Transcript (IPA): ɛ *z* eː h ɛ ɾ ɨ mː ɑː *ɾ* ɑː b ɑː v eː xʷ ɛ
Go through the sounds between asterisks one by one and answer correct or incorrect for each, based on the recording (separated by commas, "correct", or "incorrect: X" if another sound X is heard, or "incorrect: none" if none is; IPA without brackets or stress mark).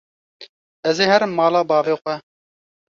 correct, incorrect: l